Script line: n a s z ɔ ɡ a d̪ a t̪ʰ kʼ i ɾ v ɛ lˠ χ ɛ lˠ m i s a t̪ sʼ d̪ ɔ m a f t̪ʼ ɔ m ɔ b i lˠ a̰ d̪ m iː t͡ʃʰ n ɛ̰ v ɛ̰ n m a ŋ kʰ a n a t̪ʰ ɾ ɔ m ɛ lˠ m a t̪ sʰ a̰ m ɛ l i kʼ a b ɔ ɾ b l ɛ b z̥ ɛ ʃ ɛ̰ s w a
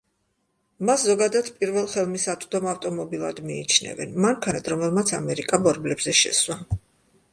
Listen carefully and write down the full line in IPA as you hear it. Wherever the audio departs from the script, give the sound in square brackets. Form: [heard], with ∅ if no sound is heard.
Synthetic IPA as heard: [m] a s z ɔ ɡ a d̪ a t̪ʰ [pʼ] i ɾ v ɛ lˠ χ ɛ lˠ m i s a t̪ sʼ d̪ ɔ m a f t̪ʼ ɔ m ɔ b i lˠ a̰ d̪ m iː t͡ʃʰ n ɛ̰ v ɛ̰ n m a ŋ kʰ a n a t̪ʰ ɾ ɔ m ɛ lˠ m a t̪ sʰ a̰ m ɛ [ɾ] i kʼ a b ɔ ɾ b l ɛ b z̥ ɛ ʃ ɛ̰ s w a